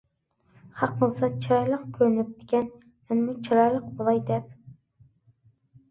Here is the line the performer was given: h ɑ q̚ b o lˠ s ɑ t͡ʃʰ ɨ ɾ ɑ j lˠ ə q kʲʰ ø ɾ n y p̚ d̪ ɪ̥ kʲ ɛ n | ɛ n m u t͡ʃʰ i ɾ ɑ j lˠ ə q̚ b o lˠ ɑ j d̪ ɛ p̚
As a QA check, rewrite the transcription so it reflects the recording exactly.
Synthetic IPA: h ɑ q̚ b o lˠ s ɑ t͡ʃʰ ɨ ɾ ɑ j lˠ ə q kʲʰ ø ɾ n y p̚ d̪ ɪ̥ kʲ ɛ n | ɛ n m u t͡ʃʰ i ɾ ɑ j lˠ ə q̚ b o lˠ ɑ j d̪ ɛ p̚